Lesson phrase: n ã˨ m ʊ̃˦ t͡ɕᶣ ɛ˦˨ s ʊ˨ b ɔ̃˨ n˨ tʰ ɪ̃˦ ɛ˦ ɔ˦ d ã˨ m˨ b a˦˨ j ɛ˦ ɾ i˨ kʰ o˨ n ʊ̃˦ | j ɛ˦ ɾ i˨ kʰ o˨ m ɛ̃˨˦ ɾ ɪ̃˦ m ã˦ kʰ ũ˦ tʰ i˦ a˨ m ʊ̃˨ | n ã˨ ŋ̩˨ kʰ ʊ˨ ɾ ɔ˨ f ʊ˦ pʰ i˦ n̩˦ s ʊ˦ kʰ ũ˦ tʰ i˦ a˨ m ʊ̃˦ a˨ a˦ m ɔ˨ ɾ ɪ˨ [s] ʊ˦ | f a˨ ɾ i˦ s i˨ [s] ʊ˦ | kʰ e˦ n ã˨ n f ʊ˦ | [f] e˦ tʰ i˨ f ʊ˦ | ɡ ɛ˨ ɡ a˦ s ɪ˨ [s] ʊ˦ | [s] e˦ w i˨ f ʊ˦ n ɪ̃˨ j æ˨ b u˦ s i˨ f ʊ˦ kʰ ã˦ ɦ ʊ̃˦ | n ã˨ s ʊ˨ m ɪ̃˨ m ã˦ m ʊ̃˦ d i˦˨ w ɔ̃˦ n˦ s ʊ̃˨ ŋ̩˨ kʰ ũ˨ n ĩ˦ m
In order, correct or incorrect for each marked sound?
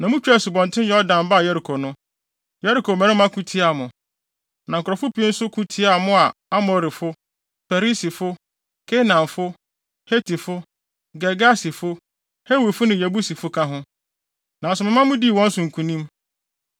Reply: incorrect: f, incorrect: f, incorrect: h, incorrect: f, incorrect: h

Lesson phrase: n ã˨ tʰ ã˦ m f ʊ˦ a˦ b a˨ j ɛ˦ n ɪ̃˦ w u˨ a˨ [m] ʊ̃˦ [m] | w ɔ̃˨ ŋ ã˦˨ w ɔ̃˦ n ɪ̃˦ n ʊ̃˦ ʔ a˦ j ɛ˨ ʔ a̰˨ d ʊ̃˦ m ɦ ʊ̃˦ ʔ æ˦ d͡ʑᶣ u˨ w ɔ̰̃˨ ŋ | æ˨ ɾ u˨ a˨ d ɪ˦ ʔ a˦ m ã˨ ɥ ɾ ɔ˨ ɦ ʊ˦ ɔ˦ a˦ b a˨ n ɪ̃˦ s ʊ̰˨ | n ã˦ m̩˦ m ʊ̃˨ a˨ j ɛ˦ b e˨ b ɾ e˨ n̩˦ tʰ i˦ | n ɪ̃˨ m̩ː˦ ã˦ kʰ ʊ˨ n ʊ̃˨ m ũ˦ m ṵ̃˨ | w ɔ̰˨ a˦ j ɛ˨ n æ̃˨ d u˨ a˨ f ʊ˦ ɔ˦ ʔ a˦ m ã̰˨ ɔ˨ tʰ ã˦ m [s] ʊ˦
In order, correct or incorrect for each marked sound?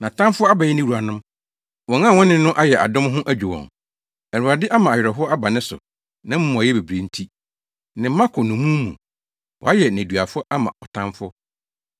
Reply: incorrect: n, correct, incorrect: f

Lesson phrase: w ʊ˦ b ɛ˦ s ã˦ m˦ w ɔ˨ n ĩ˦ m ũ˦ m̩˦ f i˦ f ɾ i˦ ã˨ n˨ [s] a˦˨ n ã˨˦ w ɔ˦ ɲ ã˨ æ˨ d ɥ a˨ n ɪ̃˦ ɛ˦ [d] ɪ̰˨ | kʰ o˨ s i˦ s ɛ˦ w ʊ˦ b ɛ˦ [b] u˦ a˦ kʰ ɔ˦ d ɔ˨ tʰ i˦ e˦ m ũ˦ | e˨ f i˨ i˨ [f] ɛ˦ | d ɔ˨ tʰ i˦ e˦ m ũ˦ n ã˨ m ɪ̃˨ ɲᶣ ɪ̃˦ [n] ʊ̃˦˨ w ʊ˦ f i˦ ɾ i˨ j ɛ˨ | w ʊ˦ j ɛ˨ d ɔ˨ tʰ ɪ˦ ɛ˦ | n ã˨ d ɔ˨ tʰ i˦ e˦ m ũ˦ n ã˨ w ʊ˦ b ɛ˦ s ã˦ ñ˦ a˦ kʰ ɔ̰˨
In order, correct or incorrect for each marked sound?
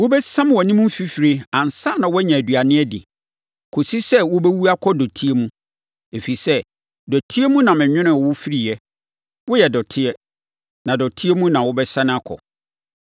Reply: correct, correct, incorrect: w, incorrect: s, correct

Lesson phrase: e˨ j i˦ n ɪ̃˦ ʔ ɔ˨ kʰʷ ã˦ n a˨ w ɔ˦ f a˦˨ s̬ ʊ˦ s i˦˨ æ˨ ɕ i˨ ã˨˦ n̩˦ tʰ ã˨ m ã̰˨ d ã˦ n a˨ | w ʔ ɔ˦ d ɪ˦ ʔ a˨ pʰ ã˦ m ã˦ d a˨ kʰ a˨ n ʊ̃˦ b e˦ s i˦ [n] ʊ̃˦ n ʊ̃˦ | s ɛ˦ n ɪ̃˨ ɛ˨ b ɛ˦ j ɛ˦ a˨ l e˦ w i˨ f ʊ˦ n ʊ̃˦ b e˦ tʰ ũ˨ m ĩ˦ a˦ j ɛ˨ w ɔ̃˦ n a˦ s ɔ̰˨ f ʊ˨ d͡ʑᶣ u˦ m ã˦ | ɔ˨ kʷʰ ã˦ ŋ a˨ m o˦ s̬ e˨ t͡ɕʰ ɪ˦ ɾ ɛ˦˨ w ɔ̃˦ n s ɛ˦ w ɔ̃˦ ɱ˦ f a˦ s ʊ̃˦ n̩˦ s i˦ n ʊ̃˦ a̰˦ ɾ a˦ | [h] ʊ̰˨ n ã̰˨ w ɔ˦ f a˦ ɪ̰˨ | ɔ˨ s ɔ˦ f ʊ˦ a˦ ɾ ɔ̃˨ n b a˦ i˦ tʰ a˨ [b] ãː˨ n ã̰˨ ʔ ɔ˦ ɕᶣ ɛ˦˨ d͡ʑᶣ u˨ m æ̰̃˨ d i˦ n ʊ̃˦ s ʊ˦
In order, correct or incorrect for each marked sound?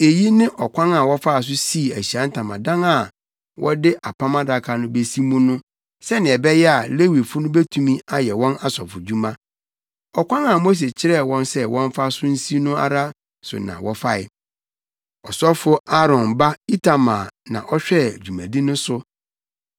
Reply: incorrect: m, incorrect: s, incorrect: m

